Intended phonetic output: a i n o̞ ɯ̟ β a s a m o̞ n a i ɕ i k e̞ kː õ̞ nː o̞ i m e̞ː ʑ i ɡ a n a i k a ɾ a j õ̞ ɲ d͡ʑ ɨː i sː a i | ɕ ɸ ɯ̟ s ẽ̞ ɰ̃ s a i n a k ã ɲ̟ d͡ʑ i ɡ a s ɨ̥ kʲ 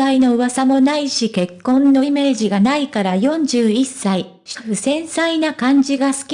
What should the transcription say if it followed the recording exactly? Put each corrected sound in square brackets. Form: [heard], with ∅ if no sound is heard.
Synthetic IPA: a i n o̞ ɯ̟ β a s a m o̞ n a i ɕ i k e̞ kː õ̞ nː o̞ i m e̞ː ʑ i ɡ a n a i k a ɾ a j õ̞ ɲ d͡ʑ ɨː i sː a i | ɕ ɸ ɯ̟ s ẽ̞ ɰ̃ s a i n a k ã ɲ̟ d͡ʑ i ɡ a s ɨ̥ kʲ